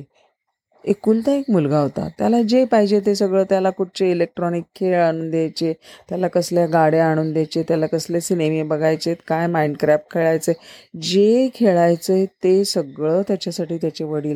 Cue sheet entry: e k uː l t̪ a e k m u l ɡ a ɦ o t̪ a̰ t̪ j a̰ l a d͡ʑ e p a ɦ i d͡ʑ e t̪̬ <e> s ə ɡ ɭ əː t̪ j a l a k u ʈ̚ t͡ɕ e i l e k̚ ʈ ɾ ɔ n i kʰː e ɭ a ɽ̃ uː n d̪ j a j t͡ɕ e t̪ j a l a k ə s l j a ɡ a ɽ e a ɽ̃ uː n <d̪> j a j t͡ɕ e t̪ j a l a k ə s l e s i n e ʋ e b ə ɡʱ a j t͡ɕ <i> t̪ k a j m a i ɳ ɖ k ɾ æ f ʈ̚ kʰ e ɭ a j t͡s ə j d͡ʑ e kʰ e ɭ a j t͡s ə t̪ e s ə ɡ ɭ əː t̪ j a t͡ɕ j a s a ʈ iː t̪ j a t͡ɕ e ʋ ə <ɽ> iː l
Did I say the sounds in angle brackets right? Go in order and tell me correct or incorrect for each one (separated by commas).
correct, correct, incorrect, correct